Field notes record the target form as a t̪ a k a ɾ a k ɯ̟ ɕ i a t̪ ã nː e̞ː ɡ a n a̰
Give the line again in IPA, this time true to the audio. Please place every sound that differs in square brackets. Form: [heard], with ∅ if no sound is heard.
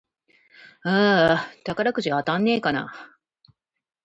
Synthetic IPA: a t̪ a k a ɾ a k ɯ̟ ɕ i a t̪ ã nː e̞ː [k] a n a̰